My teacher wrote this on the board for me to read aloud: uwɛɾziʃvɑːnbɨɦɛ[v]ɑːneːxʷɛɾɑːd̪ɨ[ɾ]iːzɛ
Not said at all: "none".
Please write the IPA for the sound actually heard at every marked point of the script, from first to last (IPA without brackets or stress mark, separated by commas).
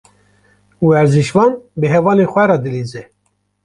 v, l